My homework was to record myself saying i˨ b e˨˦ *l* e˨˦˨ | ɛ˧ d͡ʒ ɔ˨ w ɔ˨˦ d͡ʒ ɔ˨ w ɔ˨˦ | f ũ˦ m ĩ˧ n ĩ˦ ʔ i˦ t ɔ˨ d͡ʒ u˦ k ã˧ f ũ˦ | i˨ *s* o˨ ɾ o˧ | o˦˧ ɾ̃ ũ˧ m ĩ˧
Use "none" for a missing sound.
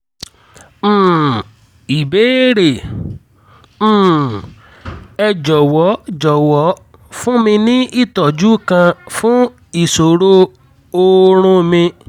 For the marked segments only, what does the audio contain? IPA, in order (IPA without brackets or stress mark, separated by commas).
ɾ, s